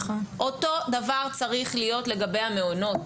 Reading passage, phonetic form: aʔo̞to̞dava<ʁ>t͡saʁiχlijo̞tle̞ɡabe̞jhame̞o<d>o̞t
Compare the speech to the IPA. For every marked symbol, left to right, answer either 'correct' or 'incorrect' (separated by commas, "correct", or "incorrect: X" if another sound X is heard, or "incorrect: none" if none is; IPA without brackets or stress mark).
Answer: correct, incorrect: n